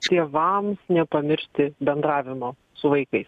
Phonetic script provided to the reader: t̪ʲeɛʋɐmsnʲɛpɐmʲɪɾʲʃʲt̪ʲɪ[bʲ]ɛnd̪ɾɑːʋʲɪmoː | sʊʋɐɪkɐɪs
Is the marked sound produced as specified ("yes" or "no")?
yes